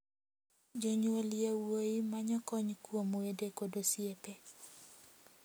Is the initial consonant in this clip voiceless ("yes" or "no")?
no